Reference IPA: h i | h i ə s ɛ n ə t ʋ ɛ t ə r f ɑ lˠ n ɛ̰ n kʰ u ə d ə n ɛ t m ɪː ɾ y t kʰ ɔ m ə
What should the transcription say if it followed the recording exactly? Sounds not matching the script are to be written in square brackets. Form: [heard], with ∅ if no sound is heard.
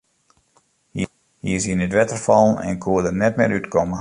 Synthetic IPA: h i | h i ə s [i] n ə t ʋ ɛ t ə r f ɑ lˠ n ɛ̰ n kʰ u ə d ə n ɛ t m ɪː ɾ y t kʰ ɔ m ə